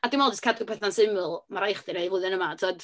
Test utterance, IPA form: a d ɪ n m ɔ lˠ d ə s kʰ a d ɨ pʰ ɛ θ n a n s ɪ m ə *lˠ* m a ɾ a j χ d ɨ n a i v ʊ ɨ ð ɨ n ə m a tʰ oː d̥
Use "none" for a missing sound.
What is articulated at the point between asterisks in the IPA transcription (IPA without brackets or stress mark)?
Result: lˠ